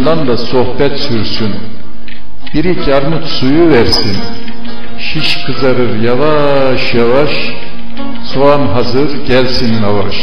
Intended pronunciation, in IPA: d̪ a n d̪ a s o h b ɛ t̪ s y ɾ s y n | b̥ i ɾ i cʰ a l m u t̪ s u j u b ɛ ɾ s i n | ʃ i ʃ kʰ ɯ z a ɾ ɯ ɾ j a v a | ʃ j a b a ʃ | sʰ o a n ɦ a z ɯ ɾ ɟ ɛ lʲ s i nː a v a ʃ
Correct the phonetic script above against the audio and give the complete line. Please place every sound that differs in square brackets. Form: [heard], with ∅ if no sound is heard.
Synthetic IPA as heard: d̪ a n d̪ a s o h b ɛ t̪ s y ɾ s y n | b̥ i ɾ i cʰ a [ɾ] m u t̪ s u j u [v] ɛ ɾ s i n | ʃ i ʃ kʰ ɯ z a ɾ ɯ ɾ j a v a | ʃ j a [v] a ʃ | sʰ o a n ɦ a z ɯ ɾ ɟ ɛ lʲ s i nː a v a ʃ

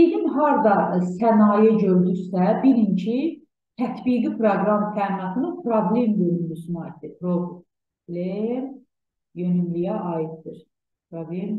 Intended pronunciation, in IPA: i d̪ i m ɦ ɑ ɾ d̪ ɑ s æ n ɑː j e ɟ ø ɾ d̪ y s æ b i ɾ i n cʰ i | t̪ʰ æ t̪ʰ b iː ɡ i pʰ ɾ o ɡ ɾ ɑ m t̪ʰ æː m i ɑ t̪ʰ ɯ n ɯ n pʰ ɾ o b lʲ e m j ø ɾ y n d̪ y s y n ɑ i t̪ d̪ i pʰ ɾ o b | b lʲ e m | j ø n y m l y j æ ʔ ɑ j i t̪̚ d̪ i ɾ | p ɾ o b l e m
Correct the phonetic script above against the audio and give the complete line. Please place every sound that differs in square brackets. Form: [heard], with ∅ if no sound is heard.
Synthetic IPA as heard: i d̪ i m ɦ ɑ ɾ d̪ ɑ s æ n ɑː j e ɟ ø ɾ d̪ y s æ b i ɾ i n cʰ i | t̪ʰ æ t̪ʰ b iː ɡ i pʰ ɾ o ɡ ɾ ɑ m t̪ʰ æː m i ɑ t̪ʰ ɯ n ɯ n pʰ ɾ o b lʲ e m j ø ɾ y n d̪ y s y n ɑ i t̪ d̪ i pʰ ɾ o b | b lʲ e m | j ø n y m l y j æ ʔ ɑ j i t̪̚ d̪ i ɾ | p ɾ o b l e m

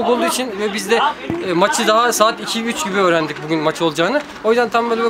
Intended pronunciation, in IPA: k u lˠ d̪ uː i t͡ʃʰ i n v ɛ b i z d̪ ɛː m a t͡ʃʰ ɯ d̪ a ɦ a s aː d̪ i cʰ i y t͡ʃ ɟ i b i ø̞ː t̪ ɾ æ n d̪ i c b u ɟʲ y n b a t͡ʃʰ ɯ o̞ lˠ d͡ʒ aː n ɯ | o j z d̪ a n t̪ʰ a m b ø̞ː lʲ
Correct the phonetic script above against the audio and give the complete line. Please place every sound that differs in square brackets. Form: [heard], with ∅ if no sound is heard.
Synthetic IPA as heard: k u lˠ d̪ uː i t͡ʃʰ i n v ɛ b i z d̪ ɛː m a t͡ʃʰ ɯ d̪ a ɦ a s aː [t̪] i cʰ i y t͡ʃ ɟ i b i ø̞ː [∅] ɾ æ n d̪ i c b u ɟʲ y n [m] a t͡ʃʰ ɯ o̞ lˠ d͡ʒ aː n ɯ | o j z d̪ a n t̪ʰ a m b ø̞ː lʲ

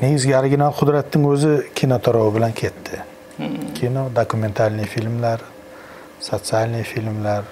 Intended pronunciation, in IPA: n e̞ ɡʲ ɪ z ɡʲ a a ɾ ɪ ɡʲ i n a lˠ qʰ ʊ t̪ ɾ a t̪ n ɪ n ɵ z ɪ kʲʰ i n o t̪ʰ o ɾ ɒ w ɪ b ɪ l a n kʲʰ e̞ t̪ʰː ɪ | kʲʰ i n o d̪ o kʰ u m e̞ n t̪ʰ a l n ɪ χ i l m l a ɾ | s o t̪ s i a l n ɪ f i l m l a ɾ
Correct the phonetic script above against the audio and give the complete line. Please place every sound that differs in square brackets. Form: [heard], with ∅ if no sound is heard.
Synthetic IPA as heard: n e̞ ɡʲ ɪ z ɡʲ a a ɾ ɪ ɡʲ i n a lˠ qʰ ʊ [d̪] ɾ a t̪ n ɪ [ŋ] ɵ z ɪ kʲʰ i n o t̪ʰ [ɒ] ɾ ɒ w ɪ b ɪ l a n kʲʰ e̞ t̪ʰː ɪ | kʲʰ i n o d̪ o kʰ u m e̞ n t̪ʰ a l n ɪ [f] i l m l a ɾ | s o t̪ s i a l n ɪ f i l m l a ɾ

